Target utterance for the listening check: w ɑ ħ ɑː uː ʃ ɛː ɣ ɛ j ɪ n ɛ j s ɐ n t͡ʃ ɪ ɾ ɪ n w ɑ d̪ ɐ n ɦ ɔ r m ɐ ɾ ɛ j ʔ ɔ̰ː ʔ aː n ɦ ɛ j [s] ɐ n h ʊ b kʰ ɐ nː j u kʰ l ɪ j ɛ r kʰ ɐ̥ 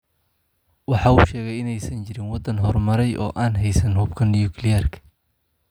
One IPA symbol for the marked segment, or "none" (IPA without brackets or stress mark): s